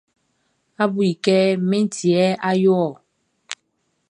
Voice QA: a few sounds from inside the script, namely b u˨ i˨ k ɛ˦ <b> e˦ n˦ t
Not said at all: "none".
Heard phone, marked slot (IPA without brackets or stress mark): m